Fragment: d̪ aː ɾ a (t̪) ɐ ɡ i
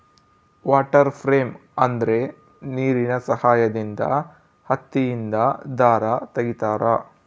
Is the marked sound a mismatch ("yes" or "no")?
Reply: no